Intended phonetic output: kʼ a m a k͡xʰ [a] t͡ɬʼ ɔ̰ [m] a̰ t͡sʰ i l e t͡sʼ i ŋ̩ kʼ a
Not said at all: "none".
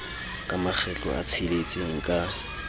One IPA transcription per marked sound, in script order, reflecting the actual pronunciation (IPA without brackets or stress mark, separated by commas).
ɛ, none